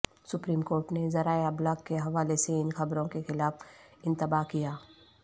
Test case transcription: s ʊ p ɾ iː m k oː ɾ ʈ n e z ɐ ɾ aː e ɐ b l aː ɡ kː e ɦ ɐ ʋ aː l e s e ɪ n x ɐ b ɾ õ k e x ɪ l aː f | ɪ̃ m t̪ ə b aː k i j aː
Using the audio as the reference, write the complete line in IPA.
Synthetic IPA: s ʊ p ɾ iː m k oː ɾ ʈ n e z ɐ ɾ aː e ɐ b l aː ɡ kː e ɦ ɐ ʋ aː l e s e ɪ n x ɐ b ɾ õ k e x ɪ l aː f | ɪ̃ n t̪ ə b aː k i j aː

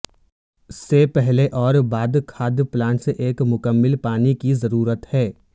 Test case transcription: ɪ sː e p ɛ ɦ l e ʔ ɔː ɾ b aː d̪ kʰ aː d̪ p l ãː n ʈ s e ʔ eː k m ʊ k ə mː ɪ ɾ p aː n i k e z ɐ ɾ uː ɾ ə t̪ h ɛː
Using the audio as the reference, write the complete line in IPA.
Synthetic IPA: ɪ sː e p ɛ ɦ l e ʔ ɔː ɾ b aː d̪ kʰ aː d̪ p l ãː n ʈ s e ʔ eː k m ʊ k ə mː ɪ l p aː n i k i z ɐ ɾ uː ɾ ə t̪ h ɛː

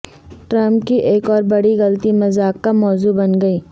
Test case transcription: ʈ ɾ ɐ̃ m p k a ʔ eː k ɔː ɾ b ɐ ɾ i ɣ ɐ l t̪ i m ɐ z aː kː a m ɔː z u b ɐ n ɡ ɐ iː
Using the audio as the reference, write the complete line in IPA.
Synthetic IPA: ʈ ɾ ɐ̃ m p k i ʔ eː k ɔː ɾ b ɐ ɽ i ɣ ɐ l t̪ i m ɐ z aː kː a m ɔː z u b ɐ n ɡ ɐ iː

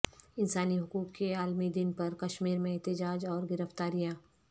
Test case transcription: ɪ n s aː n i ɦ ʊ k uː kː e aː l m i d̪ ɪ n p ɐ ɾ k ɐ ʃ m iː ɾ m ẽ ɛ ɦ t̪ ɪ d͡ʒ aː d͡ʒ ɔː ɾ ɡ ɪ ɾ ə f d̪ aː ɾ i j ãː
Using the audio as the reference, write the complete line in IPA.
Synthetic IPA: ɪ n s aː n i ɦ ʊ k uː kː e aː l m i d̪ ɪ n p ɐ ɾ k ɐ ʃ m iː ɾ m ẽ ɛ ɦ t̪ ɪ d͡ʒ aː d͡ʒ ɔː ɾ ɡ ɪ ɾ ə f t̪ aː ɾ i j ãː

